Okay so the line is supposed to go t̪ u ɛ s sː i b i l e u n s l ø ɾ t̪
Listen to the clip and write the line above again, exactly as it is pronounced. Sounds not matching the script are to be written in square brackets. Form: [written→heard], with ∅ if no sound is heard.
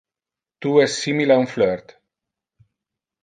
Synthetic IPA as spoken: t̪ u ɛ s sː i [b→m] i l [e→a] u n [s→f] l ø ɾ t̪